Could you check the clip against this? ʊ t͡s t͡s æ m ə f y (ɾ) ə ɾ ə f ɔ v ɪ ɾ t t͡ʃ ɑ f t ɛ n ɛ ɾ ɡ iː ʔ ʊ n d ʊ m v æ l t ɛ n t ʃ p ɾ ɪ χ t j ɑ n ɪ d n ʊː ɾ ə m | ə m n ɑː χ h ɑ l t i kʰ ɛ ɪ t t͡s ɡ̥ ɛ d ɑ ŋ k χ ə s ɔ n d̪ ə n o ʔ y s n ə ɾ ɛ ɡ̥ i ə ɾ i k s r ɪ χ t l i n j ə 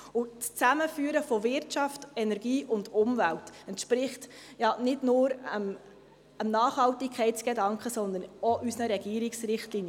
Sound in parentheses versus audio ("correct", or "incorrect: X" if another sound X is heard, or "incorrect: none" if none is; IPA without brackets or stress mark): incorrect: none